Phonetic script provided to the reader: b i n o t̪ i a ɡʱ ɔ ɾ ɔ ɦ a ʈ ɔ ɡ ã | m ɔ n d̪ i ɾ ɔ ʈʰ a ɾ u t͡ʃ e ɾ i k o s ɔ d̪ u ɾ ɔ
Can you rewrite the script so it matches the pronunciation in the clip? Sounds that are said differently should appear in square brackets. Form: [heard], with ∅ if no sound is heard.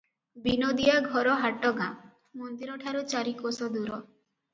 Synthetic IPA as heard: b i n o [d̪] i a ɡʱ ɔ ɾ ɔ ɦ a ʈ ɔ ɡ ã | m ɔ n d̪ i ɾ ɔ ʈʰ a ɾ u t͡ʃ [a] ɾ i k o s ɔ d̪ u ɾ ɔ